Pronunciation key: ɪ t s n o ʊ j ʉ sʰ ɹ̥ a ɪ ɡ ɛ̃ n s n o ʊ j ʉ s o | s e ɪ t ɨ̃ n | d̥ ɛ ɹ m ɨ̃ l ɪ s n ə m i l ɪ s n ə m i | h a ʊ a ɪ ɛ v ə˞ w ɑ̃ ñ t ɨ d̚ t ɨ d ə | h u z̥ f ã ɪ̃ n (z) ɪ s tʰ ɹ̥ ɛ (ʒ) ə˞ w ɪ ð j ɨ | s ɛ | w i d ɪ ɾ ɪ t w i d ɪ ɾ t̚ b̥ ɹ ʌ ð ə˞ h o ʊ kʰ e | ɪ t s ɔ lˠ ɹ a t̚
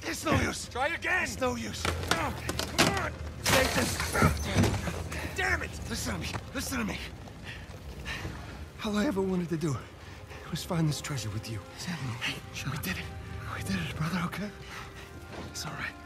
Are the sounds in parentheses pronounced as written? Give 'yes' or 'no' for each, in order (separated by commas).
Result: no, yes